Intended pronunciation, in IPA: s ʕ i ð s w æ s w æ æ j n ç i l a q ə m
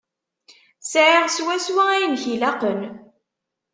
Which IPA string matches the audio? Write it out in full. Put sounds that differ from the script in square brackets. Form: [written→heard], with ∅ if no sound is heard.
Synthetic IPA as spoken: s ʕ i [ð→ʁ] s w æ s w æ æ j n ç i l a q ə [m→n]